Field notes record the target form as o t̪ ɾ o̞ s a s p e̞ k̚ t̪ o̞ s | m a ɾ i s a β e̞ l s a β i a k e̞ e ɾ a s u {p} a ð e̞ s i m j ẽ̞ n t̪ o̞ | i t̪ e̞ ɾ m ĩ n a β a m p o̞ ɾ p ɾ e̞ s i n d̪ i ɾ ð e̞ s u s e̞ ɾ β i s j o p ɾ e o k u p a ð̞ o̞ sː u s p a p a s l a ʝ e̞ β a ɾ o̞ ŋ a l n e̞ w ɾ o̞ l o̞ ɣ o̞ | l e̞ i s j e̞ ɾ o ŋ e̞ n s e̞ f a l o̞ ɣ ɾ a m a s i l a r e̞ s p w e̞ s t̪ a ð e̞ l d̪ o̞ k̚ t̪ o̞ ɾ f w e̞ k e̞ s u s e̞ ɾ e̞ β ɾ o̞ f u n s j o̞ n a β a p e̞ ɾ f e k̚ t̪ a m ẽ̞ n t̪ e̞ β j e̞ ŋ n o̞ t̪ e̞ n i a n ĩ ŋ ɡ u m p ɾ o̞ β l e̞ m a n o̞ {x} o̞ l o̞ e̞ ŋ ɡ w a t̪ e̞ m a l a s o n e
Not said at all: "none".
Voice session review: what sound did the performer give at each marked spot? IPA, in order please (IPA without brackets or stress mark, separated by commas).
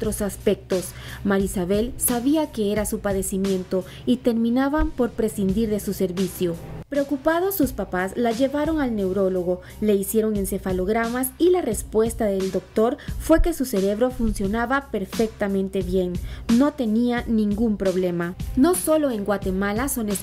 p, s